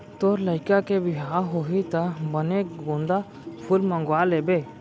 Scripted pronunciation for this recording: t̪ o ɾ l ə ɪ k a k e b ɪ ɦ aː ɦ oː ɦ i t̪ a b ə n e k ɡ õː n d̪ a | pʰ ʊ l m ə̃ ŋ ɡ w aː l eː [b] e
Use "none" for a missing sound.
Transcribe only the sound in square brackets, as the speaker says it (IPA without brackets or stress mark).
b